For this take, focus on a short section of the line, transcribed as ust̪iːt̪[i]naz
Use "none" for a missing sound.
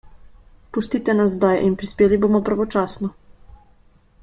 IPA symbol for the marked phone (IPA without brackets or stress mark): ɛ